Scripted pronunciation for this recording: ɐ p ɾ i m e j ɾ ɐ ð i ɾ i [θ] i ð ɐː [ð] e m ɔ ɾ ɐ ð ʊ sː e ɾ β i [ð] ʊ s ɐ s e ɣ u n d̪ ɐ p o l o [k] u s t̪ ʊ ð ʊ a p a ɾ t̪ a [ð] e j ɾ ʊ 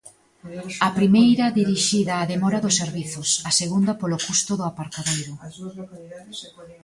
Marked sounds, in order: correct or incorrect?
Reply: incorrect, correct, incorrect, correct, correct

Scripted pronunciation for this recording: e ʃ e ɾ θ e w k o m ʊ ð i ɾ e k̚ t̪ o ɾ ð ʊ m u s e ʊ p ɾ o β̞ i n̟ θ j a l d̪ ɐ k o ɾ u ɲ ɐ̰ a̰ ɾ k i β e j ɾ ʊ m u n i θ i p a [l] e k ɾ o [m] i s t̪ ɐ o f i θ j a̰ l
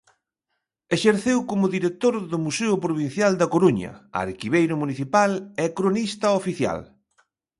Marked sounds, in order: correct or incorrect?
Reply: correct, incorrect

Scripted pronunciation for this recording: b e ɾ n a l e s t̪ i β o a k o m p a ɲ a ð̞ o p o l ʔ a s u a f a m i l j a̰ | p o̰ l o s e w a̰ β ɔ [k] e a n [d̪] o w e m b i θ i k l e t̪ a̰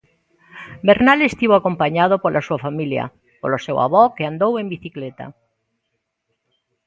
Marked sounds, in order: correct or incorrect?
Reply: correct, correct

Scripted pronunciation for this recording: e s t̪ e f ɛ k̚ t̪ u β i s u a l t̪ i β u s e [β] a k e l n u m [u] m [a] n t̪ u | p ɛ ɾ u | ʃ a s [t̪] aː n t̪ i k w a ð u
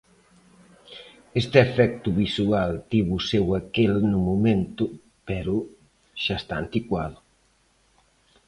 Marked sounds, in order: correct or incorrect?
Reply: incorrect, correct, incorrect, correct

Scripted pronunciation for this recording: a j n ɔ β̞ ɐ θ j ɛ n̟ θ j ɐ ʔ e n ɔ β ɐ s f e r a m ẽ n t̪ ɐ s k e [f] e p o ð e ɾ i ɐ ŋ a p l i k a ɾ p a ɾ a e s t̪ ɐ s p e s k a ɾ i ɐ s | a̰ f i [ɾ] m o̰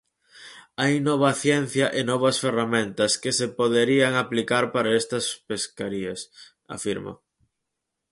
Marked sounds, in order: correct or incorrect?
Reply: incorrect, correct

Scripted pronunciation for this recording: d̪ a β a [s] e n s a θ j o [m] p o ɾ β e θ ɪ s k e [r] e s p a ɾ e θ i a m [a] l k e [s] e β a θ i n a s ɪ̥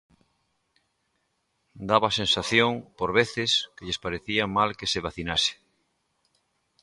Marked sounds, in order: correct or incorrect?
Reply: correct, incorrect, incorrect, correct, correct

